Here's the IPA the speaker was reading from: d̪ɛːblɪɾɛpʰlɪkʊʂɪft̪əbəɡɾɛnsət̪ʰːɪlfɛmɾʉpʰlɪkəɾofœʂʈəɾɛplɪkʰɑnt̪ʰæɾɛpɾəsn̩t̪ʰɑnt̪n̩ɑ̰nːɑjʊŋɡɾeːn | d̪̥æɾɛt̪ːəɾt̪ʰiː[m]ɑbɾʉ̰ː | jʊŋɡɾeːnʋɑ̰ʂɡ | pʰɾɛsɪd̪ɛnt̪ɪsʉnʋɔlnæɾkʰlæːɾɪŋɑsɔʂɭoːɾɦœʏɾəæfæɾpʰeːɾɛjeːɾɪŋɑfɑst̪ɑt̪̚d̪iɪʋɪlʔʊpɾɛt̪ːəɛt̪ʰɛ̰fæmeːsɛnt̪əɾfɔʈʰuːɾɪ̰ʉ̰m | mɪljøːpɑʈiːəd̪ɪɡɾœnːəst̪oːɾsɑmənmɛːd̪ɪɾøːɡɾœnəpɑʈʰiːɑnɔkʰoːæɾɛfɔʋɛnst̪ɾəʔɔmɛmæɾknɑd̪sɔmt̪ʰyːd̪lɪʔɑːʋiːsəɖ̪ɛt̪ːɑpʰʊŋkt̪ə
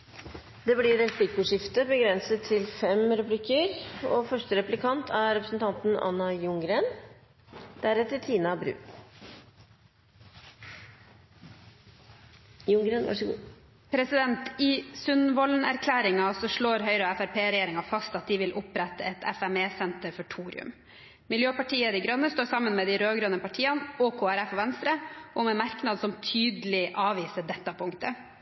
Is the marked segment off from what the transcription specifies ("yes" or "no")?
yes